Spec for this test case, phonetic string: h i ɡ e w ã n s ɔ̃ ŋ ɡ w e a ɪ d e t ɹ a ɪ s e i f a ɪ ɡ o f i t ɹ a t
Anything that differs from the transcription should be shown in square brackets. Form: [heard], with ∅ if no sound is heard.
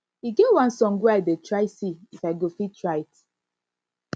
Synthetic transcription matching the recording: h i ɡ e w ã n s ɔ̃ ŋ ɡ w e a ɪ d e t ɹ a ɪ s [i] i f a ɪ ɡ o f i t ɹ a t